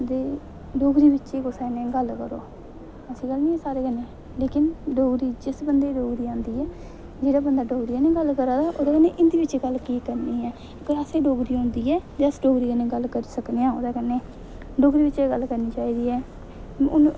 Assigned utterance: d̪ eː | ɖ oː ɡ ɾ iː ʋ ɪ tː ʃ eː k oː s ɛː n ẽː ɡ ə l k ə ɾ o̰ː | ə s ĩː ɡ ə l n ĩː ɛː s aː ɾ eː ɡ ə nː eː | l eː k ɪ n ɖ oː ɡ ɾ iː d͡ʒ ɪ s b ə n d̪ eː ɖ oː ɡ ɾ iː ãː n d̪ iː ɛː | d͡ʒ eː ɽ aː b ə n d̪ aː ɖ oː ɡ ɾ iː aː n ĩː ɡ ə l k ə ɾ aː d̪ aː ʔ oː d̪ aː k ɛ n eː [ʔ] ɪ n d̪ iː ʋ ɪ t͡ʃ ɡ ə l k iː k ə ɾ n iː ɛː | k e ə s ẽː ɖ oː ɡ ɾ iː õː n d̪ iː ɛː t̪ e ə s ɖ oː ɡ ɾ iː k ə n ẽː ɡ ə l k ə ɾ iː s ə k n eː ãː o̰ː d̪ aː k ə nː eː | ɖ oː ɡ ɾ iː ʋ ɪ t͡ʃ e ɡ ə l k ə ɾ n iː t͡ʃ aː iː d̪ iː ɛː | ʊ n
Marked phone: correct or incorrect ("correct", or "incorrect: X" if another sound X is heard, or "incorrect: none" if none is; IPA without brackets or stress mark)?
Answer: correct